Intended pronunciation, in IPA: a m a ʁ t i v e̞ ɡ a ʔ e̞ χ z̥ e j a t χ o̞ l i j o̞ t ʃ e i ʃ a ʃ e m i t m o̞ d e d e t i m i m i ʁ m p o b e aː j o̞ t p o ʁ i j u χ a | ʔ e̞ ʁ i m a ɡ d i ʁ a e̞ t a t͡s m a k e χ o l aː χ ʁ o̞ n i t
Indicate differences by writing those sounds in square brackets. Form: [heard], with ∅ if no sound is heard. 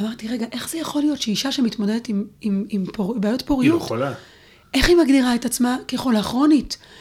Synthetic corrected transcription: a m a ʁ t i [ʁ] e̞ ɡ a ʔ e̞ χ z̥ e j a [∅] χ o̞ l i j o̞ t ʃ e i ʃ a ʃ e m i t m o̞ d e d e t i m i m i [∅] m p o b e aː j o̞ t p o ʁ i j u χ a | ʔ e̞ [χ] i m a ɡ d i ʁ a e̞ t a t͡s m a k e χ o l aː χ ʁ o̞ n i t